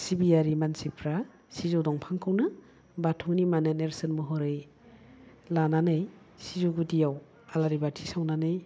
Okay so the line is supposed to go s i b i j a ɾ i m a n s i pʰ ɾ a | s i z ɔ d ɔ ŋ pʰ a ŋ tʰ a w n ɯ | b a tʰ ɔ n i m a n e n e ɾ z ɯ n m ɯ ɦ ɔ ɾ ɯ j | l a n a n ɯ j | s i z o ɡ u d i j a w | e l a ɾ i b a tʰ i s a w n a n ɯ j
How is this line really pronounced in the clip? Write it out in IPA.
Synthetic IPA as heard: s i b i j a ɾ i m a n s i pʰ ɾ a | s i z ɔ d ɔ ŋ pʰ a ŋ kʰ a w n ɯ | b a tʰ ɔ n i m a n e n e ɾ s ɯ n m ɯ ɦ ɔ ɾ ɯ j | l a n a n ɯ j | s i z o ɡ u d i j a w | a l a ɾ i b a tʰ i s a w n a n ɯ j